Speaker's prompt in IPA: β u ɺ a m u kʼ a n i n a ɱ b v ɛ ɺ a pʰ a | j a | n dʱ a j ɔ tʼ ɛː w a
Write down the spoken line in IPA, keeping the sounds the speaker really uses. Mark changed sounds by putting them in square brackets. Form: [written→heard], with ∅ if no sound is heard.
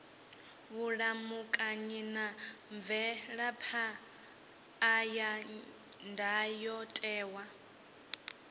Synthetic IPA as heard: β u ɺ a m u kʼ a [n→ɲ] i n a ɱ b v ɛ ɺ a pʰ a | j a | n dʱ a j ɔ tʼ ɛː w a